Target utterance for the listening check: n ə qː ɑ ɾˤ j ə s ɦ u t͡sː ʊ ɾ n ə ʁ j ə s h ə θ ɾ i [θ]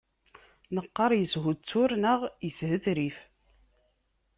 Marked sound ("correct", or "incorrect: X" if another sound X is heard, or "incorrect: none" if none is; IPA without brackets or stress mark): incorrect: f